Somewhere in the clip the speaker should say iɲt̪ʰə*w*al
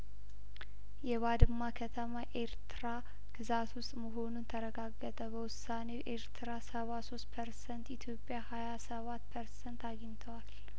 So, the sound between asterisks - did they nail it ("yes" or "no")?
yes